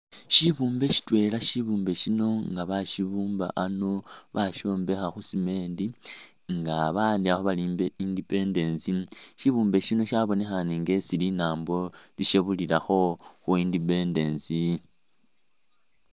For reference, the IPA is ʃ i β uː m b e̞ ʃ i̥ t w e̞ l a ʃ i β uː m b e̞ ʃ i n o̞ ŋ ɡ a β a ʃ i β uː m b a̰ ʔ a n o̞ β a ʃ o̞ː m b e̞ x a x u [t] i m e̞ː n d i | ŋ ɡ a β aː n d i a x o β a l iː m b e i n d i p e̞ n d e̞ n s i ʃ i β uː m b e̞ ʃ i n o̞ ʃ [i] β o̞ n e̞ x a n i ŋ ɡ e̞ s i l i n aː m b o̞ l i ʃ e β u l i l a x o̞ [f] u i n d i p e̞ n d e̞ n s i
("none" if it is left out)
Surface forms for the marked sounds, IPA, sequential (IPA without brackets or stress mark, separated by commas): s, a, x